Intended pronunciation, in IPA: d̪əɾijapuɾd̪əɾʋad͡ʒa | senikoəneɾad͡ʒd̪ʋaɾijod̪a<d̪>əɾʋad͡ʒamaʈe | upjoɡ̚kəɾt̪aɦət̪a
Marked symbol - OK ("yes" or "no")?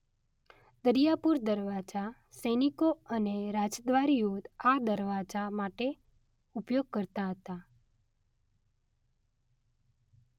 yes